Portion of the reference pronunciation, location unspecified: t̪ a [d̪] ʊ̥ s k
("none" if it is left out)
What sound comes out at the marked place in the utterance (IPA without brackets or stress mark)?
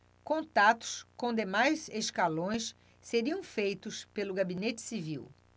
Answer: t̪